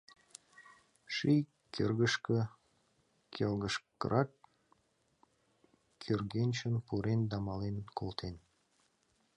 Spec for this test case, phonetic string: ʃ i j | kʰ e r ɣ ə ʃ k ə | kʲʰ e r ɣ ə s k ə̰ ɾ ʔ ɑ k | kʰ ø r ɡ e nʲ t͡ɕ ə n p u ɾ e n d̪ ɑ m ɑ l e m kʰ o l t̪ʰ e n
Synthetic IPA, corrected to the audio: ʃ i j | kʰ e r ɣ ə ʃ k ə | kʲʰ e l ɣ ə ʃ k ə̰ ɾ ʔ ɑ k | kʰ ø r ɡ e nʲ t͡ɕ ə n p u ɾ e n d̪ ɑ m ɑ l e n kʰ o l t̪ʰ e n